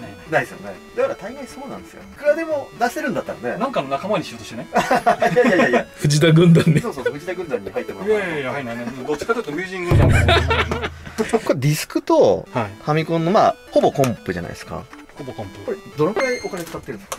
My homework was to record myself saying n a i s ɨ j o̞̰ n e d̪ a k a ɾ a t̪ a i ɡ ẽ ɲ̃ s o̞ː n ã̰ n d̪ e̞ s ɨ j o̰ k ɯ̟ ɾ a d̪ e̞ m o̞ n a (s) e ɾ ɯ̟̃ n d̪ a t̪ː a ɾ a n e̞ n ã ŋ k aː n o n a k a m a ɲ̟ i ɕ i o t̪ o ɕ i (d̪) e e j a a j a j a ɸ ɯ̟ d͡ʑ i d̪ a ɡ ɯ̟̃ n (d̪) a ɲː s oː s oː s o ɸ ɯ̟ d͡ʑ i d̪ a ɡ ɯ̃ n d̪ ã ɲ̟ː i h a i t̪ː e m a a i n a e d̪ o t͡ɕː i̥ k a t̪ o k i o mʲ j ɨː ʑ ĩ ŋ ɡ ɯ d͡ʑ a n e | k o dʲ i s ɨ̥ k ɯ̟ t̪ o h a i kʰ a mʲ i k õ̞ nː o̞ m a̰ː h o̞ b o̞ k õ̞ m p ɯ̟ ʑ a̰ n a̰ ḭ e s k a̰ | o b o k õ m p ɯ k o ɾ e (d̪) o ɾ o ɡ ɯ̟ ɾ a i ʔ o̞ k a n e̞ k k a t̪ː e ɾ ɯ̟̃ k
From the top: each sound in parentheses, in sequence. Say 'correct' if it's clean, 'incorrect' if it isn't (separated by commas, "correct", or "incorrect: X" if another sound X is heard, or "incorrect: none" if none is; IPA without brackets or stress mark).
correct, incorrect: t̪, correct, correct